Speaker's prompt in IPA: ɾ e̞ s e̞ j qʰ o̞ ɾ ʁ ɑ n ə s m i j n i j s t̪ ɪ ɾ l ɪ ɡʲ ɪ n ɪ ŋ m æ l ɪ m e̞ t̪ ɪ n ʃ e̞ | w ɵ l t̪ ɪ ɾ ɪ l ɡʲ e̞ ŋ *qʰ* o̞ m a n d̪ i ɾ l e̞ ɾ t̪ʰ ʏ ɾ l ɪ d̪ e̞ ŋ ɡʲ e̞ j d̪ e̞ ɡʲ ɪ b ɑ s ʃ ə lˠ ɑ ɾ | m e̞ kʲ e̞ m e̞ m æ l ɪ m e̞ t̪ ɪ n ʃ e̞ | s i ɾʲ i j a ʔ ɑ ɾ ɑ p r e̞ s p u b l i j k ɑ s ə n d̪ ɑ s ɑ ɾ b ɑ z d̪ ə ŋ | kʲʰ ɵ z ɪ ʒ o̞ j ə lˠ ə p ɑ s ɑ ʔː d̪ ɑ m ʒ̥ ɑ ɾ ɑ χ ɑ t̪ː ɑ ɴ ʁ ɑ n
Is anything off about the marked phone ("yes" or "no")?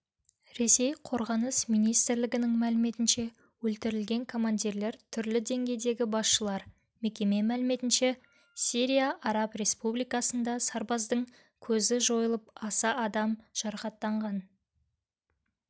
yes